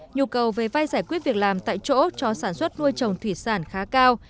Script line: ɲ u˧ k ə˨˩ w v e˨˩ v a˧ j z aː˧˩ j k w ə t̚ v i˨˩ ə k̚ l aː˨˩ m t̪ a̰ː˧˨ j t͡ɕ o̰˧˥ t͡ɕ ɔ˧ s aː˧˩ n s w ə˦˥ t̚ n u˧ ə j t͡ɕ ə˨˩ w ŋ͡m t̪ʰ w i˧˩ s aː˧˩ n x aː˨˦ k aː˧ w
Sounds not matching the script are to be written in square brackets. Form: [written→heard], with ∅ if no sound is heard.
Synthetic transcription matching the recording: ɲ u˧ k ə˨˩ w v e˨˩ v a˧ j z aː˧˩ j k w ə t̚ v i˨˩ ə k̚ l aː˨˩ m t̪ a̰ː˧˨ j t͡ɕ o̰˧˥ t͡ɕ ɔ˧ s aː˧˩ n s w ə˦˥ t̚ n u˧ ə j t͡ɕ ə˨˩ w ŋ͡m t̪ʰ w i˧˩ s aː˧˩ n x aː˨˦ k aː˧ w